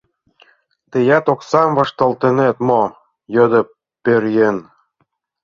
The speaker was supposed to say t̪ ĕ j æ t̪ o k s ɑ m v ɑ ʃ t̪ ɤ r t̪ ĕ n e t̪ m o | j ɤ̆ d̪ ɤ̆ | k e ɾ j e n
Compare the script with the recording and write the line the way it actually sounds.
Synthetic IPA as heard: t̪ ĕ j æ t̪ o k s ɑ m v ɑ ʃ t̪ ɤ l t̪ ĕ n e t̪ m o | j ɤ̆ d̪ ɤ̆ | p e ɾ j e n